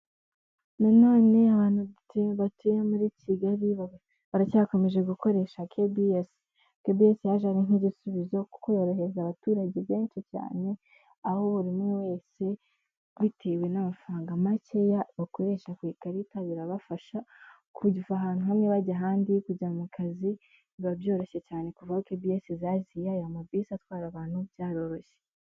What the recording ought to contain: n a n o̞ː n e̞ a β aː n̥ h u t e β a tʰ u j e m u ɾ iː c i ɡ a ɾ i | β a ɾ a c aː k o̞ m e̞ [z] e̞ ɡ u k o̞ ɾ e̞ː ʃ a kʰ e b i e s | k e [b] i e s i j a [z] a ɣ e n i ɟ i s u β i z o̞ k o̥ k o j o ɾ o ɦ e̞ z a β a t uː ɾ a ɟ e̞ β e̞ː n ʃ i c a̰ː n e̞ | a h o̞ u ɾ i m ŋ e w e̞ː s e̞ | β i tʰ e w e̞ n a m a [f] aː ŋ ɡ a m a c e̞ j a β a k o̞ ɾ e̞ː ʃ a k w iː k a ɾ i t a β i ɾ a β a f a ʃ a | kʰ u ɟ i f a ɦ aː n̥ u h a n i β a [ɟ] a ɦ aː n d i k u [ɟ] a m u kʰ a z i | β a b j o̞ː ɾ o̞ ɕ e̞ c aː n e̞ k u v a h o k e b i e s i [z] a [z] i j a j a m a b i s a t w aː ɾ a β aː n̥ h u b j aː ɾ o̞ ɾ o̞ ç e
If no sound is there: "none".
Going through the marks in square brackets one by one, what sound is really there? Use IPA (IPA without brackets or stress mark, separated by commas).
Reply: ʒ, b, ʒ, f, ɟ, ɟ, z, z